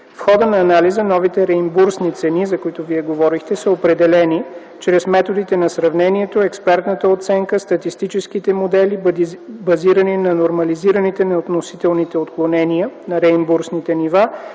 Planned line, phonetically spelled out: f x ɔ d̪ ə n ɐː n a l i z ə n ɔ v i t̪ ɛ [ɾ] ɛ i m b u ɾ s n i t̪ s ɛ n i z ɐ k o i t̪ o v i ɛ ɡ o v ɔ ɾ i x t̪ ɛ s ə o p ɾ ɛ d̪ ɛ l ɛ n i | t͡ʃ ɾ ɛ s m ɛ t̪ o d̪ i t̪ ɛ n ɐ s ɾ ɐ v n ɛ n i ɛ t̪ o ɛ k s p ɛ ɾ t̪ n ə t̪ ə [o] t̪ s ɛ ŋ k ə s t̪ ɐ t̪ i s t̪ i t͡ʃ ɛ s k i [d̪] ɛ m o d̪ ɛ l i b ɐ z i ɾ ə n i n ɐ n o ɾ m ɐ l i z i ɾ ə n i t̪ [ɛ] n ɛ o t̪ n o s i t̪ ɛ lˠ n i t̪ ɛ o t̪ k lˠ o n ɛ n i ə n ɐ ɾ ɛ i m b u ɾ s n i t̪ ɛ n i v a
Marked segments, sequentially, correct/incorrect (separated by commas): correct, correct, incorrect, correct